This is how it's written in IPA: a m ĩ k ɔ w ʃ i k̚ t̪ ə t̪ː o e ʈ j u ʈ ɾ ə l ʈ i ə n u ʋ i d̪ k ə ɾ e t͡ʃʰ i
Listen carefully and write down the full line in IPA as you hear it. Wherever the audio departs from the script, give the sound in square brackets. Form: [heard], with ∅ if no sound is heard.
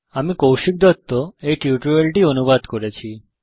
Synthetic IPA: a m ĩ k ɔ w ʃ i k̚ [d̪] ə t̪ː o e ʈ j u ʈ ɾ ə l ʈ i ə n u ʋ [a] d̪ k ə ɾ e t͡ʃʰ i